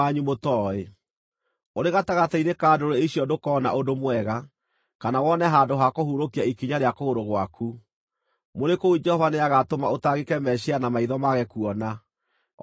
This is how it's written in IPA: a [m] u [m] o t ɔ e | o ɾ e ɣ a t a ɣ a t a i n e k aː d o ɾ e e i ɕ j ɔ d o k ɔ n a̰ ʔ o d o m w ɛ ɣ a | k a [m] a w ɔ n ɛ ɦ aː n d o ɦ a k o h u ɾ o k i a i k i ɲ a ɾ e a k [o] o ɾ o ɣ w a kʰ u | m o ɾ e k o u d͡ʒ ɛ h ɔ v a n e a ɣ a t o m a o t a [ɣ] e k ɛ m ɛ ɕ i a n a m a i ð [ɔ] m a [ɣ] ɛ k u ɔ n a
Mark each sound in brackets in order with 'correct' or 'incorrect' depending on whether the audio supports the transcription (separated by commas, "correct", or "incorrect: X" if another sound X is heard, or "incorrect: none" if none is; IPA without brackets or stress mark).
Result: incorrect: ɲ, correct, incorrect: n, correct, correct, correct, correct